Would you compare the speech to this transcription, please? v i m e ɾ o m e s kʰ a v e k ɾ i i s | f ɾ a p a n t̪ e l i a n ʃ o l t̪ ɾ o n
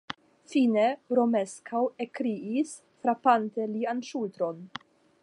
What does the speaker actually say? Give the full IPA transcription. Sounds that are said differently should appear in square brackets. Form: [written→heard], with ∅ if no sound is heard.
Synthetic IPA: [v→f] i [m→n] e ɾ o m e s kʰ a [v→w] e k ɾ i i s | f ɾ a p a n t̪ e l i a n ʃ [o→u] l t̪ ɾ o n